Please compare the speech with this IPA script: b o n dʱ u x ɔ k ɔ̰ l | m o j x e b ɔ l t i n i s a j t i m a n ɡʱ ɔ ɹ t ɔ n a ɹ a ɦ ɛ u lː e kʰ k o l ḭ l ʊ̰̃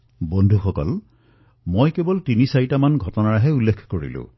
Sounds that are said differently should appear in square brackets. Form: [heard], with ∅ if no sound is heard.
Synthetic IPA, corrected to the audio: b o n dʱ u x ɔ k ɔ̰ l | m o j [k] e b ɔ l t i n i s a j t [a] m a n ɡʱ ɔ [∅] t ɔ n a ɹ a ɦ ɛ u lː e kʰ k o [ɹ] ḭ l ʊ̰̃

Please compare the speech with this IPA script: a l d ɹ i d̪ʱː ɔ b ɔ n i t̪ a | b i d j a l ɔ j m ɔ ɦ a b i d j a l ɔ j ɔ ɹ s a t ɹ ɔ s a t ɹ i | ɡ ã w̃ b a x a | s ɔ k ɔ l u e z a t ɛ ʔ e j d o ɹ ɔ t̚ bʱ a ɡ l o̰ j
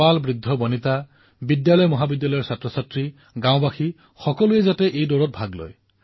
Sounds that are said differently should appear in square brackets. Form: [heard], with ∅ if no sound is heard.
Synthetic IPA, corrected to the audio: a l [b] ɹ i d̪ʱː ɔ b ɔ n i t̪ a | b i d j a l ɔ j m ɔ ɦ a b i d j a l ɔ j ɔ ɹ s a t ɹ ɔ s a t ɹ i | ɡ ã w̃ b a x [i] | [x] ɔ k ɔ l u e z a t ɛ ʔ e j d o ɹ ɔ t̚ bʱ a ɡ l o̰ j

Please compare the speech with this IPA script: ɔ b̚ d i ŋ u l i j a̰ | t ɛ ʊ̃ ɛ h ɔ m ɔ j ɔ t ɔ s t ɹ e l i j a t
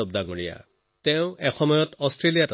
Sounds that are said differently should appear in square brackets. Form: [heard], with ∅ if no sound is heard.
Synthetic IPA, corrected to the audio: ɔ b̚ d [a] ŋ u [ɹ] i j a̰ | t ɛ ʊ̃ ɛ [x] ɔ m ɔ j ɔ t ɔ s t ɹ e l i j a t

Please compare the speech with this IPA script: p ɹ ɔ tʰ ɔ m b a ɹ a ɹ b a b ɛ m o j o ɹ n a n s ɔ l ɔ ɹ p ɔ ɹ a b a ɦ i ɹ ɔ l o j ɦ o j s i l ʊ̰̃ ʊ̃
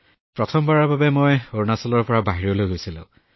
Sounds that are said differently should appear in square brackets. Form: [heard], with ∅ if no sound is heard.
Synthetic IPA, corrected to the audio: p ɹ ɔ tʰ ɔ m b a ɹ a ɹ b a b ɛ m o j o ɹ n a [∅] s ɔ l ɔ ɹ p ɔ ɹ a b a ɦ i ɹ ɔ l o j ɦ o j s i l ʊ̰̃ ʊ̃

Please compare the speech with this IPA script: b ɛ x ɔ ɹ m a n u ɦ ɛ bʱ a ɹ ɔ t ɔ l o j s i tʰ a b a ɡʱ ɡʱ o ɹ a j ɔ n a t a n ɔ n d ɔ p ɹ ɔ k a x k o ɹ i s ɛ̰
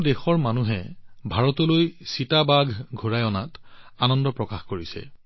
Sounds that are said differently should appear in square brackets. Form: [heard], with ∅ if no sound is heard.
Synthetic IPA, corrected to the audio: [d] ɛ x ɔ ɹ m a n u ɦ ɛ bʱ a ɹ ɔ t ɔ l o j s i [t] a b a ɡʱ ɡʱ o ɹ a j ɔ n a t a n ɔ n d ɔ p ɹ ɔ k a x k o ɹ i s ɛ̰

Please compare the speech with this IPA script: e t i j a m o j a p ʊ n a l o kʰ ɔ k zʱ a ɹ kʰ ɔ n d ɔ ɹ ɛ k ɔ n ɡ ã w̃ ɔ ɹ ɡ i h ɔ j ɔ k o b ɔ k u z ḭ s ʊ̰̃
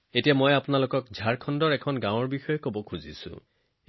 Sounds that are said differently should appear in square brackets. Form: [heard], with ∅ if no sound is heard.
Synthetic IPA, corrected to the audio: e t i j a m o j a p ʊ n a l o [k] ɔ k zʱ a ɹ kʰ ɔ n d ɔ ɹ ɛ [kʰ] ɔ n ɡ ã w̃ ɔ ɹ [b] i [x] ɔ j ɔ k o b ɔ [kʰ] u z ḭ s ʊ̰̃

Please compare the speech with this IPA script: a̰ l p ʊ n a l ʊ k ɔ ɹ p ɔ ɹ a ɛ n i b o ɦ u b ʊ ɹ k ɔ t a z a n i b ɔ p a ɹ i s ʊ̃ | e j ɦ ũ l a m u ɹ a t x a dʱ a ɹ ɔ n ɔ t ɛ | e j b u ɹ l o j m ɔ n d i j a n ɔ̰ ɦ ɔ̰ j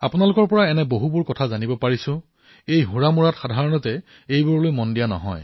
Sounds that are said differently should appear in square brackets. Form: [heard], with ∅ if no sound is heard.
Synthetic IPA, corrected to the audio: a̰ [∅] p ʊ n a l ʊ k ɔ ɹ p ɔ ɹ a ɛ n [ɛ] b o ɦ u b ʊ ɹ k ɔ [tʰ] a z a n i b ɔ p a ɹ i s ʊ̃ | e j ɦ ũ [ɹ] a m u ɹ a t x a dʱ a ɹ ɔ n ɔ t ɛ | e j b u ɹ l o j m ɔ n d i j a n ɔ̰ ɦ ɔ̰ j

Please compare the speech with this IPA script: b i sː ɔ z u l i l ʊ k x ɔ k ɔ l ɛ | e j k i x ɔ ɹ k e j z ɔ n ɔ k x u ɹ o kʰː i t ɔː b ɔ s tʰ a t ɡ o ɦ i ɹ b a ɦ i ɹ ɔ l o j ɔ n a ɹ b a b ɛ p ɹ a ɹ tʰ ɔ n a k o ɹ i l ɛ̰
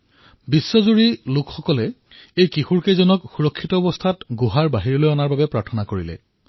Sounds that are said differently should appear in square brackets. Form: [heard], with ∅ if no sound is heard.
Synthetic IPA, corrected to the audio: b i sː ɔ z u [ɹ] i l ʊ k x ɔ k ɔ l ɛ | e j k i x [u] ɹ k e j z ɔ n ɔ k x u ɹ [ɔ] kʰː i t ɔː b ɔ s tʰ a t ɡ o ɦ [a] ɹ b a ɦ i ɹ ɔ l o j ɔ n a ɹ b a b ɛ p ɹ a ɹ tʰ ɔ n a k o ɹ i l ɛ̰

